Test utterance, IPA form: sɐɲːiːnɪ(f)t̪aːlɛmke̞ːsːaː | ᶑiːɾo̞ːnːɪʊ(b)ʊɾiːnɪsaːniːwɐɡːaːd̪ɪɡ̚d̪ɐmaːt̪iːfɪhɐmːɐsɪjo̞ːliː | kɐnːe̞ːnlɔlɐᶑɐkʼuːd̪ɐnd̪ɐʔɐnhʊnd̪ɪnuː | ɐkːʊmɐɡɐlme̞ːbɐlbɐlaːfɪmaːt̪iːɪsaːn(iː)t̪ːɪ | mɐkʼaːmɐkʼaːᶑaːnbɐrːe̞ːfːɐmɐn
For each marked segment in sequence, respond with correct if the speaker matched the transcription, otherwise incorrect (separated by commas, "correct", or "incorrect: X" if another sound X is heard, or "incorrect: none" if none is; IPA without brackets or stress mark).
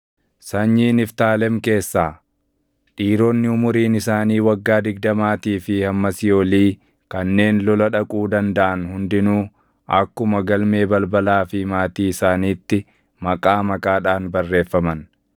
correct, incorrect: m, correct